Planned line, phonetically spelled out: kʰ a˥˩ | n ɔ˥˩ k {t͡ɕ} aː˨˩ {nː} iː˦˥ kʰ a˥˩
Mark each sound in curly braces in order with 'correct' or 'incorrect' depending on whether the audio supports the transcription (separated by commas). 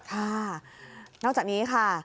correct, incorrect